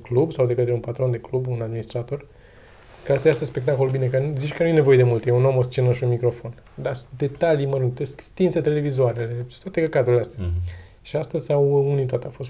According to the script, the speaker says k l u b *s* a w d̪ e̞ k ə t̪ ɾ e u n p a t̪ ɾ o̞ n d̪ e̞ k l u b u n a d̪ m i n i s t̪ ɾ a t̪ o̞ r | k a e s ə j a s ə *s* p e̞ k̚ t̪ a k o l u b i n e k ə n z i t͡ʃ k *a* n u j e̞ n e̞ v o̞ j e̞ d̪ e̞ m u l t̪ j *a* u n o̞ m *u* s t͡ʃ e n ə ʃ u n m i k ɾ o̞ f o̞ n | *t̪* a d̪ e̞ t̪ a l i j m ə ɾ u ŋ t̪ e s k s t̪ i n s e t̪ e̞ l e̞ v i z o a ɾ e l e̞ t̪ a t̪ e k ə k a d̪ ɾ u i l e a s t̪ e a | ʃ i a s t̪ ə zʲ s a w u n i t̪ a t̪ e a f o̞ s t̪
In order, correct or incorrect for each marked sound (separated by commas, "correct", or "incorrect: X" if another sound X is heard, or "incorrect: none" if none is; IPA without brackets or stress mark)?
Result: correct, correct, incorrect: ə, incorrect: e, incorrect: o, incorrect: d̪